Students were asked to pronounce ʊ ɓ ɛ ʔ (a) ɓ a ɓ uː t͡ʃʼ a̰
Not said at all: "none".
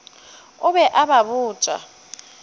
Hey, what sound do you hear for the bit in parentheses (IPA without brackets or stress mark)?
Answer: a